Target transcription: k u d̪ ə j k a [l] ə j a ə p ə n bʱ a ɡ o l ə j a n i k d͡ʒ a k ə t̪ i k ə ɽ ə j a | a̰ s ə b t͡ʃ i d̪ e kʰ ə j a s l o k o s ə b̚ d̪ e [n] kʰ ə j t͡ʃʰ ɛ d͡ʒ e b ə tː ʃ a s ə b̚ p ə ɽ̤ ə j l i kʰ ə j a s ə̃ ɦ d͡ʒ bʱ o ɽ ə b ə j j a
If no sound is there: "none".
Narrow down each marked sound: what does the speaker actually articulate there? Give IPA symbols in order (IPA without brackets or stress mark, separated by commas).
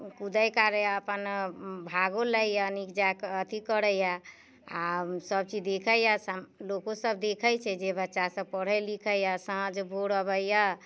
ɾ, none